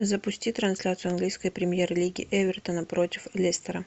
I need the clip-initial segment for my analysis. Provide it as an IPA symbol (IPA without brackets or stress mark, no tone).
z